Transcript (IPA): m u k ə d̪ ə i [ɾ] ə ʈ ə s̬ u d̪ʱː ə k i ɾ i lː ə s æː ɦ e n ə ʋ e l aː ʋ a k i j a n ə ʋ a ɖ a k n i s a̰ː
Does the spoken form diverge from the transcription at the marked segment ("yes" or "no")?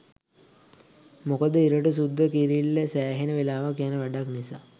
no